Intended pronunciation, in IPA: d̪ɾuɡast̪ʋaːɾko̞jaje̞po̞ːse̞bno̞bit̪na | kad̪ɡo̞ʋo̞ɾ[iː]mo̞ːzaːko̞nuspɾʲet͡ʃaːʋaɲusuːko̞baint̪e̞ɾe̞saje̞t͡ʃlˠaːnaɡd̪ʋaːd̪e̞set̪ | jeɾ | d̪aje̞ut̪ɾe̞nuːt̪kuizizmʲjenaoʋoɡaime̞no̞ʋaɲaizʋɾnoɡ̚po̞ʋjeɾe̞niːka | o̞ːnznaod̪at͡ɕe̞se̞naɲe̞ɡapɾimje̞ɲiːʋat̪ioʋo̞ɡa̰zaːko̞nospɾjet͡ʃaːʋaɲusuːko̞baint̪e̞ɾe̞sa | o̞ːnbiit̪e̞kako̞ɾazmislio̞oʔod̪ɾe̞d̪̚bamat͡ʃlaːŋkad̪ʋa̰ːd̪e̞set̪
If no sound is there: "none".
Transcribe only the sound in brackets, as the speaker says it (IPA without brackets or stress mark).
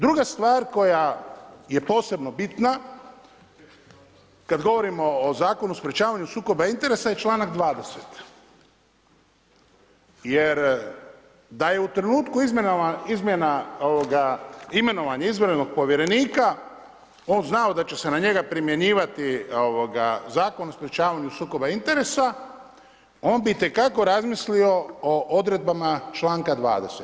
i